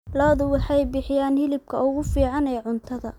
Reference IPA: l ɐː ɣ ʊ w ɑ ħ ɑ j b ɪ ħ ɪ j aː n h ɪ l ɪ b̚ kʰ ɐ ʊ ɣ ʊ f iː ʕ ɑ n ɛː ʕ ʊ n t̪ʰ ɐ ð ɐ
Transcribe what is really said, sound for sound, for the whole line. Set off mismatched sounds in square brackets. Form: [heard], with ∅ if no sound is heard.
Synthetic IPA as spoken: l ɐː [ð] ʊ w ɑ ħ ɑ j b ɪ ħ ɪ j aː n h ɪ l ɪ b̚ kʰ ɐ ʊ ɣ ʊ f iː ʕ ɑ n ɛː ʕ ʊ n t̪ʰ ɐ ð ɐ